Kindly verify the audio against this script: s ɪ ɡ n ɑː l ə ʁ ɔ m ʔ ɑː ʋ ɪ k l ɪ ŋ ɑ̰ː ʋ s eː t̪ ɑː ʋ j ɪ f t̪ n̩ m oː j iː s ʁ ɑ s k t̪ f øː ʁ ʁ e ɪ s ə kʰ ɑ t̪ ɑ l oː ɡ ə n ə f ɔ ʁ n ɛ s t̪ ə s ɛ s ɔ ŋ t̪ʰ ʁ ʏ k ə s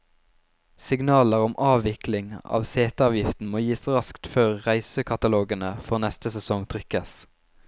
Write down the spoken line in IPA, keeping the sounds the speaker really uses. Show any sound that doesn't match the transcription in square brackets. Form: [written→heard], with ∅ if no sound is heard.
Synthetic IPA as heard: s ɪ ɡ n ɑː l ə ʁ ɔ m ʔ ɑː ʋ ɪ k l ɪ ŋ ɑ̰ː ʋ s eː t̪ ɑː ʋ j ɪ f t̪ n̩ m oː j iː s ʁ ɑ s k t̪ f øː ʁ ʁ [e→æ] ɪ s ə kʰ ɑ t̪ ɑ l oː ɡ ə n ə f ɔ ʁ n ɛ s t̪ ə s ɛ s ɔ ŋ t̪ʰ ʁ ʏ k ə s